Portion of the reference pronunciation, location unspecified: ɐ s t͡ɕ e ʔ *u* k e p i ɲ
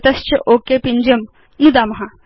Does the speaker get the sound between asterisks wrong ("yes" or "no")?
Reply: yes